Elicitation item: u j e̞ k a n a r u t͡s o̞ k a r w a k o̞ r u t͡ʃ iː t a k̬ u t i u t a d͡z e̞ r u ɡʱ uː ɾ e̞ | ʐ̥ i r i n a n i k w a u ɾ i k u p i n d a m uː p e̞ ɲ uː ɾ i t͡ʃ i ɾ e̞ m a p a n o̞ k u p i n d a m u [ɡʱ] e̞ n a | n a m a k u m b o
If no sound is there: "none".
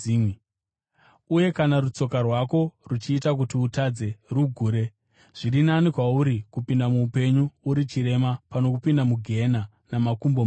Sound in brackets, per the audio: ɡʱ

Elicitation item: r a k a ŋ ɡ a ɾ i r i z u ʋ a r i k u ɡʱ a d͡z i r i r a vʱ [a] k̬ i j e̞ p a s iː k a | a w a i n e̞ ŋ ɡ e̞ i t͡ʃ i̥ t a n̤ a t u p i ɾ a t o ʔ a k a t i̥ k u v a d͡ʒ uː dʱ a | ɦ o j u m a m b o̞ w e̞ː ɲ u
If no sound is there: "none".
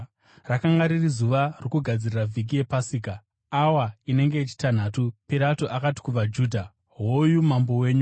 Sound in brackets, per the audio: i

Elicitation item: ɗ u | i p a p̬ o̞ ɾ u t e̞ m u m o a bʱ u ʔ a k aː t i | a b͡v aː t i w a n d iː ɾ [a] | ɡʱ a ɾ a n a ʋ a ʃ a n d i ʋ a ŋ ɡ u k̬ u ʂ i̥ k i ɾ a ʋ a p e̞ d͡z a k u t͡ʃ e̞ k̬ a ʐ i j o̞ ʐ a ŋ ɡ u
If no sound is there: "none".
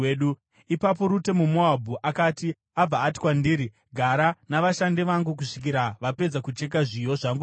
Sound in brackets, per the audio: i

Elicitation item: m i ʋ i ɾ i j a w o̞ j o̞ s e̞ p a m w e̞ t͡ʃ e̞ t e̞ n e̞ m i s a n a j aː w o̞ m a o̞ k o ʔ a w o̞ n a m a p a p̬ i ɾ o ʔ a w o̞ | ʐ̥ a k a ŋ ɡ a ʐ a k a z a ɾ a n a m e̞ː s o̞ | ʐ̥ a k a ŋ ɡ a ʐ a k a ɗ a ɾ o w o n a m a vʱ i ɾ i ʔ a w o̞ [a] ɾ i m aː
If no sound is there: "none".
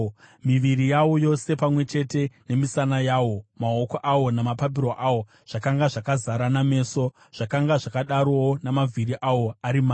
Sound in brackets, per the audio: a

